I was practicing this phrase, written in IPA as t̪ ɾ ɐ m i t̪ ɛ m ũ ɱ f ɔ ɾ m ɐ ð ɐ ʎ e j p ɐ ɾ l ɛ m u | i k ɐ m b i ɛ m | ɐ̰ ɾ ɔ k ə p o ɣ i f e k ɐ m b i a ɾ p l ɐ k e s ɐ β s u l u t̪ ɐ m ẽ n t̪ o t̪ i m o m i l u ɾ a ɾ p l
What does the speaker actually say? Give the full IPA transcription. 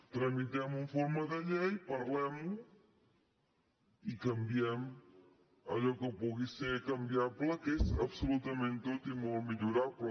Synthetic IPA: t̪ ɾ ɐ m i t̪ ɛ m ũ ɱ f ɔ ɾ m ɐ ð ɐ ʎ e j p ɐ ɾ l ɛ m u | i k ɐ m b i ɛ m | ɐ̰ ʎ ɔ k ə p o ɣ i s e k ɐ m b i a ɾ p l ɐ k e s ɐ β s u l u t̪ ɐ m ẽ n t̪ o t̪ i m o m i ʎ u ɾ a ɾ p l